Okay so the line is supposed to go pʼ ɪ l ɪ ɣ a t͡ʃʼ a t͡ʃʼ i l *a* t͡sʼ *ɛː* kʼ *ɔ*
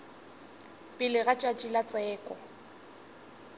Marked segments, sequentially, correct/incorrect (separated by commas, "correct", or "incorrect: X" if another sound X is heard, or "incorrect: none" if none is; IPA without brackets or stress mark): correct, correct, correct